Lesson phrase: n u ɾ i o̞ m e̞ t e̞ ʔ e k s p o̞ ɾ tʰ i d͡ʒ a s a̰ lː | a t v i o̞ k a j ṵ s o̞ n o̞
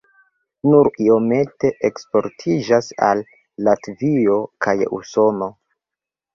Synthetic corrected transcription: n u ɾ i o̞ m e̞ t e̞ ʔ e k s p o̞ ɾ tʰ i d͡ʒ a s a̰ lː | a t v i o̞ k a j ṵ s o̞ n o̞